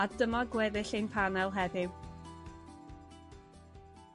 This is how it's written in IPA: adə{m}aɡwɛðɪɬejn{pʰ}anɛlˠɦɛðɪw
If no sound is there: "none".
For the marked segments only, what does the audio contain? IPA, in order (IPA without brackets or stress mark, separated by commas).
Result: m, pʰ